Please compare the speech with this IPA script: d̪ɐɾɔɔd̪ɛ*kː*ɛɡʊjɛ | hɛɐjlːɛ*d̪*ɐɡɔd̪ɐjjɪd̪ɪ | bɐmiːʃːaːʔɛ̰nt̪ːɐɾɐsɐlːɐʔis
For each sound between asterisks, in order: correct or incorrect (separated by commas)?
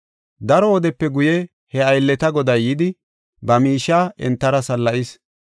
incorrect, incorrect